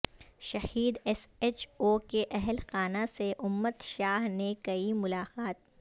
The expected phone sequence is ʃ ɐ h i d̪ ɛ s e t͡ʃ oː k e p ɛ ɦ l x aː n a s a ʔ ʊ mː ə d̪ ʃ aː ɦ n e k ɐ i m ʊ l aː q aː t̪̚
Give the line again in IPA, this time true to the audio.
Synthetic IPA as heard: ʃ ɐ h iː d̪ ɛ s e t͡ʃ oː k e ʔ ɛ ɦ l x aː n a s e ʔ ʊ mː ə t̪ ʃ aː ɦ n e k ɐ i m ʊ l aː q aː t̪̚